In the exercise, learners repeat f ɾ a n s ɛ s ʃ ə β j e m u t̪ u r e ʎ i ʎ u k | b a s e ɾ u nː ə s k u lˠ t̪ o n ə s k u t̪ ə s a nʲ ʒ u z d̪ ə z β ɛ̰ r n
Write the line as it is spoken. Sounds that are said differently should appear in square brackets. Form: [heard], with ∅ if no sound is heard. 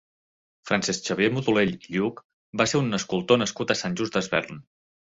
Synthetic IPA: f ɾ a n s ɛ s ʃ ə β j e m u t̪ u [l] e ʎ i ʎ u k | b a s e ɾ u nː ə s k u lˠ t̪ o n ə s k u t̪ ə s a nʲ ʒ u z d̪ ə z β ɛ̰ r n